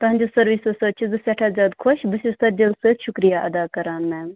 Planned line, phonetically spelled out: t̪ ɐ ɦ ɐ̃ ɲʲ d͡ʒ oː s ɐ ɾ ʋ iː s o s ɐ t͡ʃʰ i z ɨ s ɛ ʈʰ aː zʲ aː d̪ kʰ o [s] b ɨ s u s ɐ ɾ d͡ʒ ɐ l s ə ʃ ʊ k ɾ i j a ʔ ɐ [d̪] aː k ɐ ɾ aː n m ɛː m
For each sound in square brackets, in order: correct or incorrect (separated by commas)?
incorrect, correct